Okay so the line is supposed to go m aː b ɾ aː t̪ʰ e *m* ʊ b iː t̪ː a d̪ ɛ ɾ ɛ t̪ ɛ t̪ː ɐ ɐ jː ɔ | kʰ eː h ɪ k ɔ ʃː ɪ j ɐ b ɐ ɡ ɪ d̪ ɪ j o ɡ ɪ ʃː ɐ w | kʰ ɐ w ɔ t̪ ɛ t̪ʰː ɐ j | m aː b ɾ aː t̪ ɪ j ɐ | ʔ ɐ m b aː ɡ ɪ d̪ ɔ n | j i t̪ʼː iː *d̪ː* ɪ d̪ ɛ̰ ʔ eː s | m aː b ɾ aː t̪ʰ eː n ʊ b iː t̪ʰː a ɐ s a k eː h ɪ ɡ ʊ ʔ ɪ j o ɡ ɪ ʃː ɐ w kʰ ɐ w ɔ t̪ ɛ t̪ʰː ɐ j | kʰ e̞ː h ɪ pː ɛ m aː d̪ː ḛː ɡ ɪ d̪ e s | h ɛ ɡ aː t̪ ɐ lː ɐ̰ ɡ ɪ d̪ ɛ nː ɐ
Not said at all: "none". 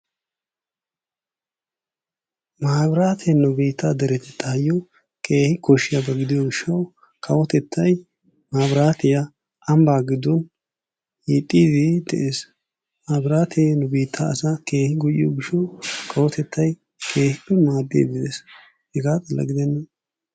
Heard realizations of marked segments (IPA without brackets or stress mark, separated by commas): n, d̪